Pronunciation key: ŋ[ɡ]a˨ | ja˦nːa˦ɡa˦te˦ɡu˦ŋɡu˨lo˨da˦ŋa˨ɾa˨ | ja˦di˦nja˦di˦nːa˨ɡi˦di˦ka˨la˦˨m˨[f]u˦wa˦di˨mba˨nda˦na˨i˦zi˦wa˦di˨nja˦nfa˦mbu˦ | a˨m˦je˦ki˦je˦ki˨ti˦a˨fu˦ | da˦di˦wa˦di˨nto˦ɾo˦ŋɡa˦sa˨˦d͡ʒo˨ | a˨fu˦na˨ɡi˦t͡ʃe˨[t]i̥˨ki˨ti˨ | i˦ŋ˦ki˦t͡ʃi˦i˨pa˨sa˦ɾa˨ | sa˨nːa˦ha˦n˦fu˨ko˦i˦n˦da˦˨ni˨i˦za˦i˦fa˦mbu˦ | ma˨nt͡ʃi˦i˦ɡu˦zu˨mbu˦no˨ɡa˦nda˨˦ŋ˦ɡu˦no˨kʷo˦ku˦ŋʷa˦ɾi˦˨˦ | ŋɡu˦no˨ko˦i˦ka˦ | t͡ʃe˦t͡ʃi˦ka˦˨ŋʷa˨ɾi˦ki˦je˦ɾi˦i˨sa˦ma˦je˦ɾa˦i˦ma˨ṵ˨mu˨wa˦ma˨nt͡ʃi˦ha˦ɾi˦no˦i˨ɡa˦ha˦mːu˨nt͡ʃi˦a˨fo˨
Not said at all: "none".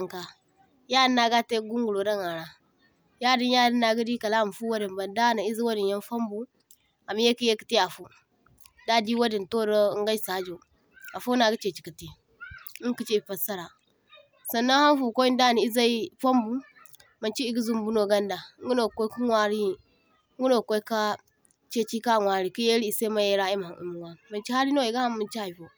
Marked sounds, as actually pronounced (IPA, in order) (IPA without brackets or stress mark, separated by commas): k, f, t͡ʃ